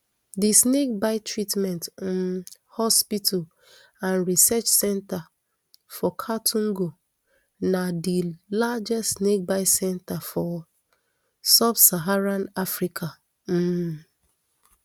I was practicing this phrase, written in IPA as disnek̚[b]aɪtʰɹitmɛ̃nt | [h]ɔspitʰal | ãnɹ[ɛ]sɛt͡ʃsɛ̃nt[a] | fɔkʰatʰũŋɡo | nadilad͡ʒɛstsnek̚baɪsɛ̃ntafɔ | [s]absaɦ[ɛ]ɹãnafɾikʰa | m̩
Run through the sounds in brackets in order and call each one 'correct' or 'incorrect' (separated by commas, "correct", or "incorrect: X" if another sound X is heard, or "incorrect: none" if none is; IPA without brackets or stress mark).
correct, correct, incorrect: i, correct, correct, incorrect: a